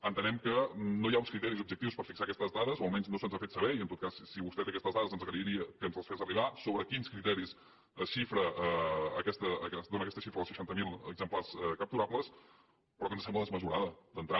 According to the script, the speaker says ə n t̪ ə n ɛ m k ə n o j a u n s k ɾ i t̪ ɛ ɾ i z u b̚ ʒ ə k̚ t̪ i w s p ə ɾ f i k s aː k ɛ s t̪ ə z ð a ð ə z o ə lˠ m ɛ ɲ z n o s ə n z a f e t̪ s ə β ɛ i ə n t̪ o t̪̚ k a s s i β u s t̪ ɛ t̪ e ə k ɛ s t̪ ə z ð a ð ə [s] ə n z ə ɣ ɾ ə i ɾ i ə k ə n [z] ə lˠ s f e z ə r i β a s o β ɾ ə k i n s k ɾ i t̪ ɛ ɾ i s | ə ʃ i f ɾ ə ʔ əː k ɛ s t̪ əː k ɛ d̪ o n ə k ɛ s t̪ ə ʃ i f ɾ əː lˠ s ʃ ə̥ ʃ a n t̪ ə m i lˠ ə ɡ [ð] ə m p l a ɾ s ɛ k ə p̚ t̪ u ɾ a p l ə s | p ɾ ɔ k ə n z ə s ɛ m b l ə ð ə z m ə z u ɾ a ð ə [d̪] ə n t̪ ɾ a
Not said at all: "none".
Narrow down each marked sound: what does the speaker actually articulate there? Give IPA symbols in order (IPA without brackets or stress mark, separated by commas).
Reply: z, z, z, d̪